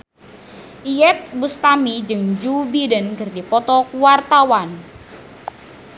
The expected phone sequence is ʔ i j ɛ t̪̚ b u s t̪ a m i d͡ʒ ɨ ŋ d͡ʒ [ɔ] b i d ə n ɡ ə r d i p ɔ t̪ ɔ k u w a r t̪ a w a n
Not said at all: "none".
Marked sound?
u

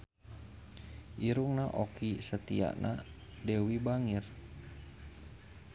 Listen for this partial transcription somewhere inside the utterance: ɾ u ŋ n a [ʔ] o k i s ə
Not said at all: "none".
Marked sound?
ʔ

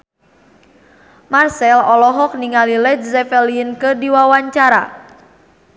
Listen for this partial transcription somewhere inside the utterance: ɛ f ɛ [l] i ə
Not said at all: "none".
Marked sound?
l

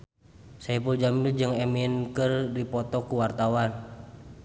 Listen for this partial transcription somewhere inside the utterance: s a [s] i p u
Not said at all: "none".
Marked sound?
none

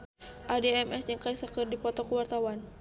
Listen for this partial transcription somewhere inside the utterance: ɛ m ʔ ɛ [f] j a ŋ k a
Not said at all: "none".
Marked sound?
s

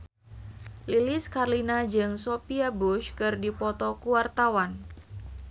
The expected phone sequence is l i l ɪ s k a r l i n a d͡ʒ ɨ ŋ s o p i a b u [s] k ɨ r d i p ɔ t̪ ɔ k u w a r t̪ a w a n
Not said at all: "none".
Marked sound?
ʃ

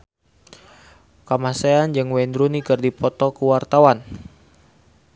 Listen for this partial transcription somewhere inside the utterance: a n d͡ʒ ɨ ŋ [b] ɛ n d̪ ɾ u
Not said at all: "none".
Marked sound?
w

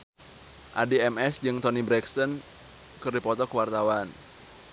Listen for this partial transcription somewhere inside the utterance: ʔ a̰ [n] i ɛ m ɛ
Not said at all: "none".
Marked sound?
d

